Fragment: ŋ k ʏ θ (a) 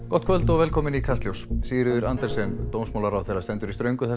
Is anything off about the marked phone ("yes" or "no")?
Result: yes